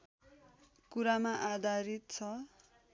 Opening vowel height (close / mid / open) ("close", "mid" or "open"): close